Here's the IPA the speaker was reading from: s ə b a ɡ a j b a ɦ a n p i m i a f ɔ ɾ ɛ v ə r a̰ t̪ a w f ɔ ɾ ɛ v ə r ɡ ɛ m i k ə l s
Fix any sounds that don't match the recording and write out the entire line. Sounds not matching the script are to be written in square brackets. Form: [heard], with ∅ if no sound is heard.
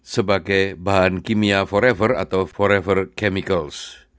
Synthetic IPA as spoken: s ə b a ɡ a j b a ɦ a n [k] i m i a f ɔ ɾ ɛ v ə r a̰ t̪ a w f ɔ ɾ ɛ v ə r [k] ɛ m i k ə l s